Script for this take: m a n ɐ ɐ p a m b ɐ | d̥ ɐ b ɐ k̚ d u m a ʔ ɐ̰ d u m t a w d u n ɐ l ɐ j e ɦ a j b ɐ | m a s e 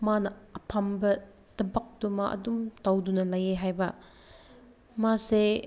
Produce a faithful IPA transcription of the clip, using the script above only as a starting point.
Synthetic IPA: m a n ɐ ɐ pʰ a m b ɐ | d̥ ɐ b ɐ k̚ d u m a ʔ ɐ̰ d u m t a w d u n ɐ l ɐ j e ɦ a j b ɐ | m a s e